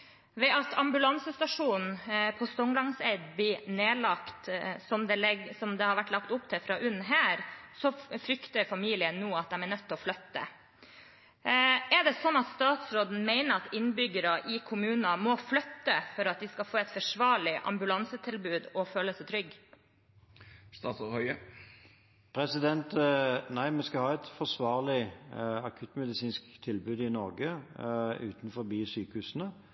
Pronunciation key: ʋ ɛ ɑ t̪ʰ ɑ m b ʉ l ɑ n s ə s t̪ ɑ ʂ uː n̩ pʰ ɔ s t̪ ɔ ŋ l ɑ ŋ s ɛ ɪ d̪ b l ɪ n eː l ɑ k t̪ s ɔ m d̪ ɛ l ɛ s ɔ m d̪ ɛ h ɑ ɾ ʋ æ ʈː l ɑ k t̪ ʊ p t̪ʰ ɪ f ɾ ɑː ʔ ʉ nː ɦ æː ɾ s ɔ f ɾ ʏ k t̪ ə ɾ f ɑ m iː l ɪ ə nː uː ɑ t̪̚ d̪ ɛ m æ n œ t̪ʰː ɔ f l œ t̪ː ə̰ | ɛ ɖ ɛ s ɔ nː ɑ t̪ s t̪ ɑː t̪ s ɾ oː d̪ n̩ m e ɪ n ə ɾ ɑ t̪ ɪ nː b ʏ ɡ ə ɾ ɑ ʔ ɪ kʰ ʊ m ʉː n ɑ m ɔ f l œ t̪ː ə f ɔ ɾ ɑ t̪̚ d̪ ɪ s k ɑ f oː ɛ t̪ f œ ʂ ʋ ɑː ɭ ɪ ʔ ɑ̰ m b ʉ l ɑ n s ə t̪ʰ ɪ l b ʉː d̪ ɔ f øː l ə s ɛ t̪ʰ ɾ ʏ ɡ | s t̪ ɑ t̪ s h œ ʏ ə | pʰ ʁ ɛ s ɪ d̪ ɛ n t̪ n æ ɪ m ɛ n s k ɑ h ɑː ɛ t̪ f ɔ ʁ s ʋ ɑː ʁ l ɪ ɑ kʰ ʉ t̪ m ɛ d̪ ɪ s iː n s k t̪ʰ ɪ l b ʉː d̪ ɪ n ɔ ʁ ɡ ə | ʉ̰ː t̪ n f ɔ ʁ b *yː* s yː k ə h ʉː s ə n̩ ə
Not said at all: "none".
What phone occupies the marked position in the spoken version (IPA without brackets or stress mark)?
iː